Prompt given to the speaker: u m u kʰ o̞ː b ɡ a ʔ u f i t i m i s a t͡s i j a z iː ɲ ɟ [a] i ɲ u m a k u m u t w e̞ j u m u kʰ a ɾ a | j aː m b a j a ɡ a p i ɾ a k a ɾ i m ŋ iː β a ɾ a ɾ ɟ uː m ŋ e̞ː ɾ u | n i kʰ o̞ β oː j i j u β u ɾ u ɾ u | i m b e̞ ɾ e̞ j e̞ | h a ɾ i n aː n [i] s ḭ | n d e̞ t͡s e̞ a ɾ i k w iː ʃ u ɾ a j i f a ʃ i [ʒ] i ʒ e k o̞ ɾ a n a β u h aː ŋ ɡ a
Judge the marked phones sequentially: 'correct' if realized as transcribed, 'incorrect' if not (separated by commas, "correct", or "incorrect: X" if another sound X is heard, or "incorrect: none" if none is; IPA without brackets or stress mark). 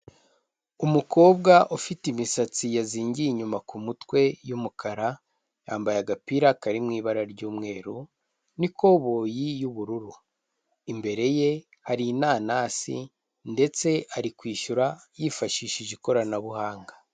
incorrect: i, incorrect: a, incorrect: ʃ